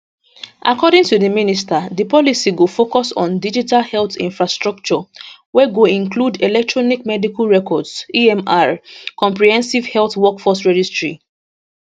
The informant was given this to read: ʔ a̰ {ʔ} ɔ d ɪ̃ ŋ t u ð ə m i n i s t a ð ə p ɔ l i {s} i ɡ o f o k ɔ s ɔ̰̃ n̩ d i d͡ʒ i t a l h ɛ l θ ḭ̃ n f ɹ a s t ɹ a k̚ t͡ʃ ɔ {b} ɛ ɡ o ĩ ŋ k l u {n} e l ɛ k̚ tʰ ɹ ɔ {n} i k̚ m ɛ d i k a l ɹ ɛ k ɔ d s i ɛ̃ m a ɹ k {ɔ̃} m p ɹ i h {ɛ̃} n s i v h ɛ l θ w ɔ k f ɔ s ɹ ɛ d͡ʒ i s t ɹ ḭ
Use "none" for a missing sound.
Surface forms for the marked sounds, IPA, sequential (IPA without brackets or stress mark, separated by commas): k, s, w, d, n, ɔ̃, ɛ̃